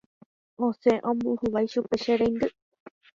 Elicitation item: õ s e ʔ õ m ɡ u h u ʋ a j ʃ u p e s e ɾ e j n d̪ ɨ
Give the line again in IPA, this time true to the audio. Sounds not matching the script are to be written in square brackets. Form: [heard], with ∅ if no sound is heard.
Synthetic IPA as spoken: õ s e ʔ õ m [b] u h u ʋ a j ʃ u p e [ʃ] e ɾ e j n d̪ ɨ